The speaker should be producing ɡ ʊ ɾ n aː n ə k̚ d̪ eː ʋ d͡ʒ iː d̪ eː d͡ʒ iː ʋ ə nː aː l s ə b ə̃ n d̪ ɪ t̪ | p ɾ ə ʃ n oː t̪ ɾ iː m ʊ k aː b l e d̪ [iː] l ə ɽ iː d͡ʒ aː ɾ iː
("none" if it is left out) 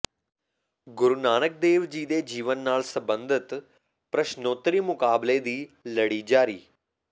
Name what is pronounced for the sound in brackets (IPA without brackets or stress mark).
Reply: iː